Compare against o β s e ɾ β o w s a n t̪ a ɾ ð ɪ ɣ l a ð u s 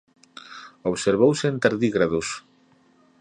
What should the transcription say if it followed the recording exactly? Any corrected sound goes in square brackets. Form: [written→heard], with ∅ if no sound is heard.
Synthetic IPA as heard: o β s e ɾ β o w s [a→e] n t̪ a ɾ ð [ɪ→i] ɣ [l→ɾ] a ð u s